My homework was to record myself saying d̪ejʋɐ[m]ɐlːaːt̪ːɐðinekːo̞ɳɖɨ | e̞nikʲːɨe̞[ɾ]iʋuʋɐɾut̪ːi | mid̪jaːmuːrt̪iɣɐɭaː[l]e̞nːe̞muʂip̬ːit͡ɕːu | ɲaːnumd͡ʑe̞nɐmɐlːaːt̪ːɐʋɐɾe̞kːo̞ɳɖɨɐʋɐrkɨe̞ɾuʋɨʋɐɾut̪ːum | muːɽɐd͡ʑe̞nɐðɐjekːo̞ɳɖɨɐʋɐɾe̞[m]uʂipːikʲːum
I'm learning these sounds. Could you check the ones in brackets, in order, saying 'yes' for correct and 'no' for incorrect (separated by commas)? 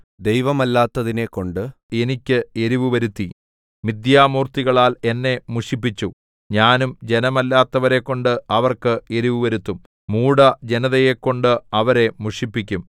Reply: yes, yes, yes, yes